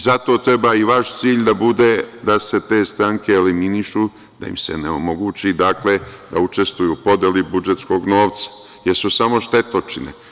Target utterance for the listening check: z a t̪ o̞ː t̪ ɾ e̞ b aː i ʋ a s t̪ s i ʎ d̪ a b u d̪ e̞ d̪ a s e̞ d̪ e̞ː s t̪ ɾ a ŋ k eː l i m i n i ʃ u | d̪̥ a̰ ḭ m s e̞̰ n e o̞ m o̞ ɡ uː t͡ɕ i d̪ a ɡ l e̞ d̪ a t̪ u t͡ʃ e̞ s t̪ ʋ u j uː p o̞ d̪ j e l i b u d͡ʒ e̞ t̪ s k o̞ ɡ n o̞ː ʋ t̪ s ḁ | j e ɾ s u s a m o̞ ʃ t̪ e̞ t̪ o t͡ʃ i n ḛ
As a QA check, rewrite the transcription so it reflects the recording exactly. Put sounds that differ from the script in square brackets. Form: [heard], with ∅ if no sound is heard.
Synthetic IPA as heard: z a t̪ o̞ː t̪ ɾ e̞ b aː i ʋ a [ʃ] t̪ s [iː] ʎ d̪ a b u d̪ e̞ d̪ a s e̞ [t̪] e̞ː s t̪ ɾ a ŋ k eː l i m i n i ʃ u | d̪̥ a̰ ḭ m s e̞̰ n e o̞ m o̞ ɡ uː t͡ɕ i d̪ a [k] l e̞ d̪ a [∅] u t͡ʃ e̞ s t̪ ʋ u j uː p o̞ d̪ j e l i b u d͡ʒ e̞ t̪ s k o̞ ɡ n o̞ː ʋ t̪ s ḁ | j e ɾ s u s a m o̞ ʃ t̪ e̞ t̪ o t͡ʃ i n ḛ